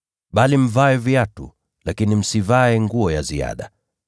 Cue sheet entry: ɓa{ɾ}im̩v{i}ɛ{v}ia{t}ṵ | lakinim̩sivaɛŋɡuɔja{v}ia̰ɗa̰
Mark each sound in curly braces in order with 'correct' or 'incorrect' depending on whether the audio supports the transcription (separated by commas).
incorrect, incorrect, correct, correct, incorrect